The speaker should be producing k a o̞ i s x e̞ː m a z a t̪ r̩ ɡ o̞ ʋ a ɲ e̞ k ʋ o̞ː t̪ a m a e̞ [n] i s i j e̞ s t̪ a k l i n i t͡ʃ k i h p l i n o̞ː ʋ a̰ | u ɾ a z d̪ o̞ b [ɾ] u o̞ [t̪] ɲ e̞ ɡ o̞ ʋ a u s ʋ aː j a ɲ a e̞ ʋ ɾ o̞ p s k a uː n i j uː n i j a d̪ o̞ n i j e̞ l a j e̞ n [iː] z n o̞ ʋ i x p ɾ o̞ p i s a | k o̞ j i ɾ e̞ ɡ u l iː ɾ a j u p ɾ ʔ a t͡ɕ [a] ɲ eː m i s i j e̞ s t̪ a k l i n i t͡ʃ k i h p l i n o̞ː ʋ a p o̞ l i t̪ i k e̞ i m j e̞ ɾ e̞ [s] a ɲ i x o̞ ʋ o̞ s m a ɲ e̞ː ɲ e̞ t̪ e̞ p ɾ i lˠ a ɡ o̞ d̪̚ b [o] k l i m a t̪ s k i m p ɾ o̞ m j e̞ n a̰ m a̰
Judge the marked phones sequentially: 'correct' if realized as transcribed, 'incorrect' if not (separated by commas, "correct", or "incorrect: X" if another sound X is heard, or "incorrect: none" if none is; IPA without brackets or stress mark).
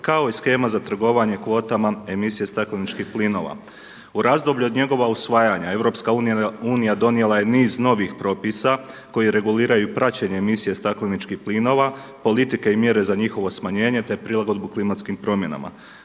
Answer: incorrect: m, incorrect: ʎ, incorrect: d̪, correct, incorrect: e, incorrect: z, incorrect: u